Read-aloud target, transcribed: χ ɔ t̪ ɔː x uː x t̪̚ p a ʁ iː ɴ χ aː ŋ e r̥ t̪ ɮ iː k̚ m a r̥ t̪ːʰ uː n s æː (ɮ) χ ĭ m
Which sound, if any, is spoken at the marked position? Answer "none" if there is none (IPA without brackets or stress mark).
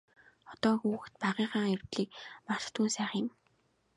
none